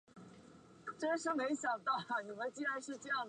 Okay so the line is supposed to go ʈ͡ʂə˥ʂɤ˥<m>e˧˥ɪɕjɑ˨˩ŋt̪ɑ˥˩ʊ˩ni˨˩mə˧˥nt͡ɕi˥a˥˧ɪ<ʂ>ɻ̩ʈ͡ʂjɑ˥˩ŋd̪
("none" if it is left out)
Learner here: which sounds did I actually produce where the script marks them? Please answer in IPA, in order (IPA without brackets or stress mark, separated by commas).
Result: m, ʂ